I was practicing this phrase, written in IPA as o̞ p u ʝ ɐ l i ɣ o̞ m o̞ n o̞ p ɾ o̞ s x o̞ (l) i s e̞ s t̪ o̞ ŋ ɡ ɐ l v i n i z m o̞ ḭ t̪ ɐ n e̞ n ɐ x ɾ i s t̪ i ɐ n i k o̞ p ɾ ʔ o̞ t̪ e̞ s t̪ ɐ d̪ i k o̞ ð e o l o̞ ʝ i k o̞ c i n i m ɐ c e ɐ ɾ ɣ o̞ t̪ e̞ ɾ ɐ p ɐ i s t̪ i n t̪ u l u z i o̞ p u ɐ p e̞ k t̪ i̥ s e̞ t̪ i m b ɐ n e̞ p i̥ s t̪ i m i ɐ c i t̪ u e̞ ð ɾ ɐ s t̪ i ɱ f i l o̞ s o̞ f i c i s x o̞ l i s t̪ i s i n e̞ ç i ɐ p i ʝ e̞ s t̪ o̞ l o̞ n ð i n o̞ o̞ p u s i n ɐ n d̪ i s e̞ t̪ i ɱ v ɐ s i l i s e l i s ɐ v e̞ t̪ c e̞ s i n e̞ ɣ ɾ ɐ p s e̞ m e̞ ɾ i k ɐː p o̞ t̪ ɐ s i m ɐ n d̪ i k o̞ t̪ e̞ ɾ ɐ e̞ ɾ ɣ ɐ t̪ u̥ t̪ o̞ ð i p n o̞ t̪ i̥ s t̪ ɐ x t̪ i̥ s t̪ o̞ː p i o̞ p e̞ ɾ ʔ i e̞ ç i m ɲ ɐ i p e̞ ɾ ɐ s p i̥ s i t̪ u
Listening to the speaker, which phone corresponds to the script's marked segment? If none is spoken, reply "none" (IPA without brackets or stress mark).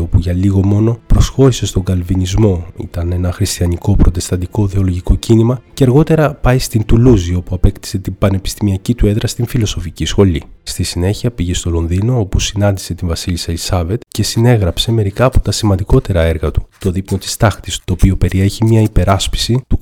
ɾ